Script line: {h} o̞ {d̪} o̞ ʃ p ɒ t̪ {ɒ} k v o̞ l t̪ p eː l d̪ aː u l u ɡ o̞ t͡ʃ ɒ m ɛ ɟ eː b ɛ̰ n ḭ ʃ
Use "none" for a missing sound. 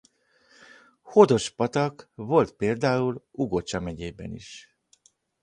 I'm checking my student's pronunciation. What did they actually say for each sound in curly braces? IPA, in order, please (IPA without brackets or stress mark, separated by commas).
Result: h, d̪, ɒ